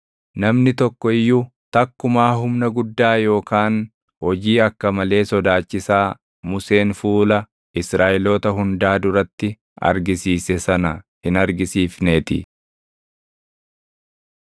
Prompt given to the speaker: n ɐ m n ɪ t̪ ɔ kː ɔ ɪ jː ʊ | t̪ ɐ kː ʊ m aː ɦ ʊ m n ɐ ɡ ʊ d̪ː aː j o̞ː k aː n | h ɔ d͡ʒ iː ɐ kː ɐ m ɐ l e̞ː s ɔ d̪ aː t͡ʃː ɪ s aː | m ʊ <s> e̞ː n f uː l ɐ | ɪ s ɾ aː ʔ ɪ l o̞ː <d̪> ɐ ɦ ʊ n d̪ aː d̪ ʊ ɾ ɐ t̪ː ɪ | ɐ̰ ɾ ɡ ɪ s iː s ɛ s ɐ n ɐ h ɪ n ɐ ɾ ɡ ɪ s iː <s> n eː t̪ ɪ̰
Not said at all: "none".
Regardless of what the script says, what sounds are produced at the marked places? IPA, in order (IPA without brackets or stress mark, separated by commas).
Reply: s, t̪, f